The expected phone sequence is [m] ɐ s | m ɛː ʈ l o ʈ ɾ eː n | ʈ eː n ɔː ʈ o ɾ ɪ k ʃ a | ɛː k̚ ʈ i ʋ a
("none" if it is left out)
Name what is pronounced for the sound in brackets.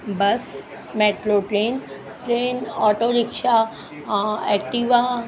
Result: b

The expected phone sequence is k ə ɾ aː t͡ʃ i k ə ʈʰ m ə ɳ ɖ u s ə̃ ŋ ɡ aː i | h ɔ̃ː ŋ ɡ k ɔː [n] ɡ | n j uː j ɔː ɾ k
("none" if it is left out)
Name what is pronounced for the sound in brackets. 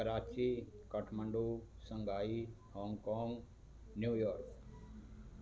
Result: ŋ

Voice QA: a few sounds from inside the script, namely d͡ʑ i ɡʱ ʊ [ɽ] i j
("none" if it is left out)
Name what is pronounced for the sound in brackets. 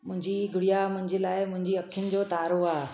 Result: ɽ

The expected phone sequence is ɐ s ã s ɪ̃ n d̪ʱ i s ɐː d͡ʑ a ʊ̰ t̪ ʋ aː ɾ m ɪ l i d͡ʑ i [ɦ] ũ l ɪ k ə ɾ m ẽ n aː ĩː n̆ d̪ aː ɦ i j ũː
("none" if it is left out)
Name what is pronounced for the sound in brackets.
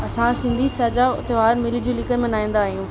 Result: none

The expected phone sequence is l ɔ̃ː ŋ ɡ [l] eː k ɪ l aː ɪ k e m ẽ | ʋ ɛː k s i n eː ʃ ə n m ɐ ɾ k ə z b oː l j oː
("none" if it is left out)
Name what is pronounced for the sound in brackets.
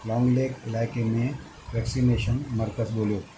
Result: l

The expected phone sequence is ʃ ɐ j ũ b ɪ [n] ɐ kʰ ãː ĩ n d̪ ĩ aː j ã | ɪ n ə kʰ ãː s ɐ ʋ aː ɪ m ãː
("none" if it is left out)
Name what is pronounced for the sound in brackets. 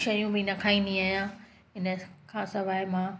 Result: n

